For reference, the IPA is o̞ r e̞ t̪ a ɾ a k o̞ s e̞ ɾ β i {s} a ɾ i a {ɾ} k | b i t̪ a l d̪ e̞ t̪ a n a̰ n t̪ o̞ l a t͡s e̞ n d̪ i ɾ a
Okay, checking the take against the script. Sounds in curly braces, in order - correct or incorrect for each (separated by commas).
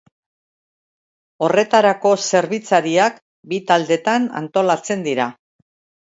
incorrect, incorrect